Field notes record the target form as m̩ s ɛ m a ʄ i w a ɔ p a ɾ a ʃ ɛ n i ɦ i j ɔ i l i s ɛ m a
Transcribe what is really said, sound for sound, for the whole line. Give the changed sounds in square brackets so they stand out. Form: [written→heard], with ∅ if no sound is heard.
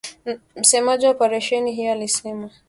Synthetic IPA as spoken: m̩ s ɛ m a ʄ i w a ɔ p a ɾ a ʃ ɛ n i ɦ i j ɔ [i→a] l i s ɛ m a